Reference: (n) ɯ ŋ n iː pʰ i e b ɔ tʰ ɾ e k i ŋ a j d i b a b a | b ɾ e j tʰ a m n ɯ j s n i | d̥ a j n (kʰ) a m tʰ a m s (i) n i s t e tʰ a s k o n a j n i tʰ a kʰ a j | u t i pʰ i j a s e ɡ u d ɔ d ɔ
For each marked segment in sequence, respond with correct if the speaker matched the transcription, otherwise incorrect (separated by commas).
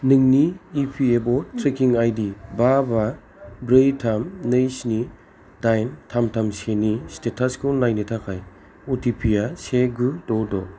correct, incorrect, incorrect